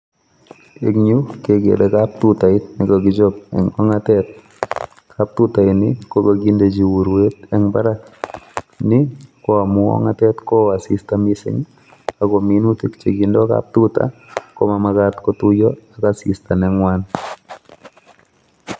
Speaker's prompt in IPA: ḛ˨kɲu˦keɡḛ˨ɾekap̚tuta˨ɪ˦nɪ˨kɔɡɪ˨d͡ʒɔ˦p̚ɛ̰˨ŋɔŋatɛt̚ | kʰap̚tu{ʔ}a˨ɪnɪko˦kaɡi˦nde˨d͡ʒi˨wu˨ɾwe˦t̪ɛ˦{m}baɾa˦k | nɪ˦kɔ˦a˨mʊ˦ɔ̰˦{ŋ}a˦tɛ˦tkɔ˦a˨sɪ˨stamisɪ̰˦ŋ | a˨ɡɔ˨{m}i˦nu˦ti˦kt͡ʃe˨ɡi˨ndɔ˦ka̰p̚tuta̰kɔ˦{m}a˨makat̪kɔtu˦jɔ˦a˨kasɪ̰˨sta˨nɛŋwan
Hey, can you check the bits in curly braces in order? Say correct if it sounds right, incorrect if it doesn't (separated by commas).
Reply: incorrect, incorrect, correct, correct, correct